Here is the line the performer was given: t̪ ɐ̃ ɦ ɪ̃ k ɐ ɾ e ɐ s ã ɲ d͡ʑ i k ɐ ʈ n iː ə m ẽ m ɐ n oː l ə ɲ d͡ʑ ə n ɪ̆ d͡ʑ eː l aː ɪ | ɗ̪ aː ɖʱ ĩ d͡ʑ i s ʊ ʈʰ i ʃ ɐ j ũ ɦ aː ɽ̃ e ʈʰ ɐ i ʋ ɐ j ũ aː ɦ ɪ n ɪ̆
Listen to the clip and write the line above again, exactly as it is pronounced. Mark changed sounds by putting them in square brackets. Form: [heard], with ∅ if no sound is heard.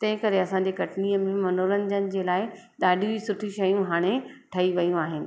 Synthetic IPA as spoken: t̪ ɐ̃ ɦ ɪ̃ k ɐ ɾ e ɐ s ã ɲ d͡ʑ [e] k ɐ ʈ n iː ə m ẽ m ɐ n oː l ə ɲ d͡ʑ ə n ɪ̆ d͡ʑ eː l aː ɪ | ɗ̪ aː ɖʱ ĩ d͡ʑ i s ʊ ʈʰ i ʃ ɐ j ũ ɦ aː ɽ̃ e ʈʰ ɐ i ʋ ɐ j ũ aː ɦ ɪ n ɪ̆